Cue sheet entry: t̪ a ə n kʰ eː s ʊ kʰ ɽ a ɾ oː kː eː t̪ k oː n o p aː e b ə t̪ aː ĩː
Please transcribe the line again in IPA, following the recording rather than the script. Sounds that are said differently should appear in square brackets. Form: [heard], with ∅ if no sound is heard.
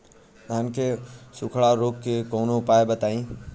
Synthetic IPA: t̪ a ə n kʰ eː s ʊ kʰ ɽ a ɾ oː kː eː [∅] k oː n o p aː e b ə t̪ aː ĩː

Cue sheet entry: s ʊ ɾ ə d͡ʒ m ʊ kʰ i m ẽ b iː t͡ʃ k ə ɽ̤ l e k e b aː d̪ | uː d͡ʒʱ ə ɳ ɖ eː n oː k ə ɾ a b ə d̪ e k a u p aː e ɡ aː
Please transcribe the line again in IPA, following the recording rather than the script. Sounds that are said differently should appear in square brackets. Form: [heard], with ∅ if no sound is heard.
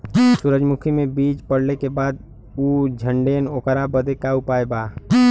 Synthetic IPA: s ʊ ɾ ə d͡ʒ m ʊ kʰ i m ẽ b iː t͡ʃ [p] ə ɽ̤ l e k e b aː d̪ | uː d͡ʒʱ ə ɳ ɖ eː n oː k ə ɾ a b ə d̪ e k a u p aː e [b] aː

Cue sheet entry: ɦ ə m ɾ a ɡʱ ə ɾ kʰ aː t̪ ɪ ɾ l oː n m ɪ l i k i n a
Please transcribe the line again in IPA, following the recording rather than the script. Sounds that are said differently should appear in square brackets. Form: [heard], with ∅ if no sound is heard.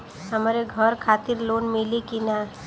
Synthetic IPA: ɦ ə m ɾ [e] ɡʱ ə ɾ kʰ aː t̪ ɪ ɾ l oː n m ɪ l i k i n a

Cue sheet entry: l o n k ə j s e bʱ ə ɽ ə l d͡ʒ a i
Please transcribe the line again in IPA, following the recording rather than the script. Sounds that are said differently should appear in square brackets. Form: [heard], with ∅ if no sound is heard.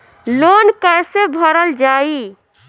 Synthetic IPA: l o n k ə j s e bʱ ə [ɾ] ə l d͡ʒ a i

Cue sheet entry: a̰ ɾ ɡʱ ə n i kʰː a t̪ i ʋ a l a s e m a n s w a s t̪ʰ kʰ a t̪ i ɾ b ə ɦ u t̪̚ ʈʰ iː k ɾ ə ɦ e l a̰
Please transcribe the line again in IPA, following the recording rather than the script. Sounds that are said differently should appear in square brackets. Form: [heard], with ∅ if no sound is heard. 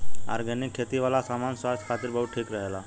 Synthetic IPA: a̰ ɾ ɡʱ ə n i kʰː [e] t̪ i ʋ a l a s [a] m a n s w a s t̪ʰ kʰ a t̪ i ɾ b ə ɦ u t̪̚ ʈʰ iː k ɾ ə ɦ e l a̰

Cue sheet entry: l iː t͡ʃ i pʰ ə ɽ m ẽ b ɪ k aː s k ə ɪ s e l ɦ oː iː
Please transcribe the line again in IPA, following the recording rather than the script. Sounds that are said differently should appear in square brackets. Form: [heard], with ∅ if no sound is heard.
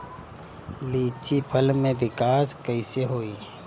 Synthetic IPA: l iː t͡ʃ i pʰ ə [l] m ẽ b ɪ k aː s k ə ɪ s e [∅] ɦ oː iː

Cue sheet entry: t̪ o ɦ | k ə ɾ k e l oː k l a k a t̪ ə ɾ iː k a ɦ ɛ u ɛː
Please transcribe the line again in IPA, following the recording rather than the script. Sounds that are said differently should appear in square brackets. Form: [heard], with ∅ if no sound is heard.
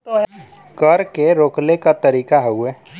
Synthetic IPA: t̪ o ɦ | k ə ɾ k e [ɾ] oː k l [e] k a t̪ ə ɾ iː k a ɦ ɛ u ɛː

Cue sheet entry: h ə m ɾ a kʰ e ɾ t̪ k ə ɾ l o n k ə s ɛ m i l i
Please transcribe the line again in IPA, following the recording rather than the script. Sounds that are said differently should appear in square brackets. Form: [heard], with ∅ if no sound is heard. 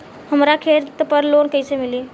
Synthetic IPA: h ə m ɾ a kʰ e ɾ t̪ [p] ə ɾ l o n k ə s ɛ m i l i

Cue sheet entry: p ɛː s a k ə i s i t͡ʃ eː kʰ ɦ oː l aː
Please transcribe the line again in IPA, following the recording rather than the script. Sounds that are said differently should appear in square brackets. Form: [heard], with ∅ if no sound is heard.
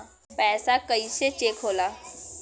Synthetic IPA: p ɛː s a k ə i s [e] t͡ʃ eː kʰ ɦ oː l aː

